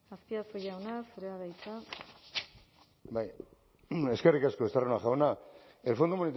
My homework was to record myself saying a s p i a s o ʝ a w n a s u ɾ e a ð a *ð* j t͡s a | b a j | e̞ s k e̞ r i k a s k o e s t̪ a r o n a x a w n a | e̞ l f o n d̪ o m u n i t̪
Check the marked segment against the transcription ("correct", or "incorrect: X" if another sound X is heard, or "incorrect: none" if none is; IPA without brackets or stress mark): incorrect: none